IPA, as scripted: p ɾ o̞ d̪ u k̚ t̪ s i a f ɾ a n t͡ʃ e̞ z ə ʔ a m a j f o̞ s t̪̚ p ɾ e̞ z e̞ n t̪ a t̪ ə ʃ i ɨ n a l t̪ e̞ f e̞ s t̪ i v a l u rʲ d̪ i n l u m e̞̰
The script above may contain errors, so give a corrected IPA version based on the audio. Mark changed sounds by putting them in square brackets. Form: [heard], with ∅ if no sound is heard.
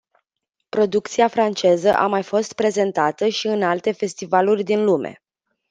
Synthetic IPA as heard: p ɾ o̞ d̪ u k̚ t̪ s i a f ɾ a n t͡ʃ e̞ z ə ʔ a m a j f o̞ s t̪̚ p ɾ e̞ z e̞ n t̪ a t̪ ə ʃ i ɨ n a l t̪ e̞ f e̞ s t̪ i v a l u rʲ d̪ i n l u m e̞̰

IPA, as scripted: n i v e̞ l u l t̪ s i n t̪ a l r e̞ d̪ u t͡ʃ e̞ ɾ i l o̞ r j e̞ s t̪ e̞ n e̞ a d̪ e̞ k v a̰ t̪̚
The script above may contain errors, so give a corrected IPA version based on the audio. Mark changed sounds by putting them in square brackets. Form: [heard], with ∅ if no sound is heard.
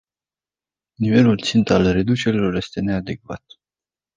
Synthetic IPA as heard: n i v e̞ l u l t̪ s i n t̪ a l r e̞ d̪ u t͡ʃ e̞ ɾ i l o̞ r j e̞ s t̪ e̞ n e̞ a d̪ e̞ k v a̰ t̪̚

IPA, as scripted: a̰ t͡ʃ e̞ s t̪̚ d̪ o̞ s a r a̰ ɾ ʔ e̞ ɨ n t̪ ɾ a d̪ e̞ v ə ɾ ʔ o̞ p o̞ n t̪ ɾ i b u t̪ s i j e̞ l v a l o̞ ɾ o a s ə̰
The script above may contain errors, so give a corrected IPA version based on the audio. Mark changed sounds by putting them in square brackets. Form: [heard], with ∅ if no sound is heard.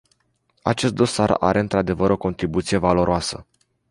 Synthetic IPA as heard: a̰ t͡ʃ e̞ s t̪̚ d̪ o̞ s a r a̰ ɾ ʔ e̞ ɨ n t̪ ɾ a d̪ e̞ v ə ɾ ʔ o̞ [k] o̞ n t̪ ɾ i b u t̪ s i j e̞ [∅] v a l o̞ ɾ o a s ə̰

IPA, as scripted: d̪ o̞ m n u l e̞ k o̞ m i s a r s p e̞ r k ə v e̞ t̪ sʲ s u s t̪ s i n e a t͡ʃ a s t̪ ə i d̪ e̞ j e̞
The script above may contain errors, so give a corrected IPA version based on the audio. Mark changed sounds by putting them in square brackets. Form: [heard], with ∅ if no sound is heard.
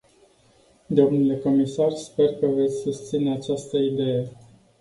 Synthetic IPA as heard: d̪ o̞ m n u l e̞ k o̞ m i s a r s p e̞ r k ə v e̞ t̪ sʲ s u s t̪ s i n e a t͡ʃ a s t̪ ə i d̪ e̞ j e̞

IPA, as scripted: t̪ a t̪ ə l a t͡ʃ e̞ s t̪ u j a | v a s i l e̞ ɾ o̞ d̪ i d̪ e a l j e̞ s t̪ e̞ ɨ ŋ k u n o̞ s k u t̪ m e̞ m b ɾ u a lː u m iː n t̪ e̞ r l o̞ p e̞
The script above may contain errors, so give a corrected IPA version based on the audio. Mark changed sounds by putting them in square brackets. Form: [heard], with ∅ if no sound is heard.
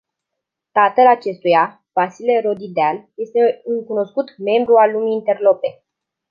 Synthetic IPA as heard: t̪ a t̪ ə l a t͡ʃ e̞ s t̪ u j a | v a s i l e̞ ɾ o̞ d̪ i d̪ e a l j e̞ s t̪ e̞ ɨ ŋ k u n o̞ s k u t̪ m e̞ m b ɾ u a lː u m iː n t̪ e̞ r l o̞ p e̞

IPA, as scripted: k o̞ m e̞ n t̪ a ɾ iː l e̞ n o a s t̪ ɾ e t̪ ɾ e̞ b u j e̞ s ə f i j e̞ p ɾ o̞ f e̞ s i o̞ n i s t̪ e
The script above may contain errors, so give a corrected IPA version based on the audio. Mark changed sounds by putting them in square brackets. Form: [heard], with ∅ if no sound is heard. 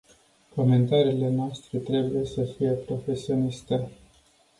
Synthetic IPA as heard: k o̞ m e̞ n t̪ a ɾ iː l e̞ n o a s t̪ ɾ e t̪ ɾ e̞ b u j e̞ s ə f i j e̞ p ɾ o̞ f e̞ s i o̞ n i s t̪ e

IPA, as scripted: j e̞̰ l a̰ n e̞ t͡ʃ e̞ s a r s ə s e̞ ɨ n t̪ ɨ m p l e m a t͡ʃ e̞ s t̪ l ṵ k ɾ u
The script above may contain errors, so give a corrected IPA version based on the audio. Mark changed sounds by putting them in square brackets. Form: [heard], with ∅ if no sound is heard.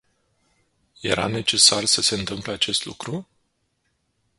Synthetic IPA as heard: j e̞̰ [ɾ] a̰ n e̞ t͡ʃ e̞ s a r s ə s e̞ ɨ n t̪ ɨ m p l e [∅] a t͡ʃ e̞ s t̪ l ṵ k ɾ u

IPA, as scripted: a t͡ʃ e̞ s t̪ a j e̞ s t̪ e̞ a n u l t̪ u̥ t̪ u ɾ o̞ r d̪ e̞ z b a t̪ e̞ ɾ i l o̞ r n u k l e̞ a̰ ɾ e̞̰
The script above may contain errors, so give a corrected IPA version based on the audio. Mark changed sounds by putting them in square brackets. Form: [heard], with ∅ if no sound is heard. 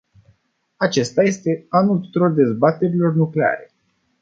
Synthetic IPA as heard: a t͡ʃ e̞ s t̪ a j e̞ s t̪ e̞ a n u l t̪ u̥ t̪ u ɾ o̞ r d̪ e̞ z b a t̪ e̞ ɾ i l o̞ r n u k l e̞ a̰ ɾ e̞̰

